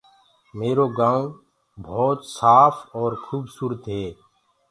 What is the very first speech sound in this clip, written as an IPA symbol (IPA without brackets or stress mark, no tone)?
m